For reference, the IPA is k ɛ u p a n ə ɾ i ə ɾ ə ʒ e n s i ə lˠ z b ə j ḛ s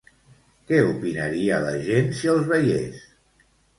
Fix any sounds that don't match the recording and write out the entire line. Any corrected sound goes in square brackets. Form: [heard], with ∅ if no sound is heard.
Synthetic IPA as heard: k ɛ u p [i] n ə ɾ i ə [l] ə ʒ e n s i ə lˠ z [β] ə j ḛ s